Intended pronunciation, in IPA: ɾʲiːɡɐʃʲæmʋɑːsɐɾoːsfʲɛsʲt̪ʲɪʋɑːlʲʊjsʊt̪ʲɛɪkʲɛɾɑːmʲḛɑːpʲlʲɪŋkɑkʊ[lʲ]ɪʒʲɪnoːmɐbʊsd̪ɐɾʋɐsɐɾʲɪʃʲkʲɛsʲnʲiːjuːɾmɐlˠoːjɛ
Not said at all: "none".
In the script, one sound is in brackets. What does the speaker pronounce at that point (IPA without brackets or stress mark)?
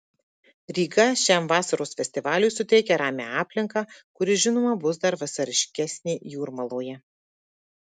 ɾʲ